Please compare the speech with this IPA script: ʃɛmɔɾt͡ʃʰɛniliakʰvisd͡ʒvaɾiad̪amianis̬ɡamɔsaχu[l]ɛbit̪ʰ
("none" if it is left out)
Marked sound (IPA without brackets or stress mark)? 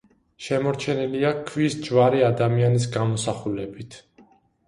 l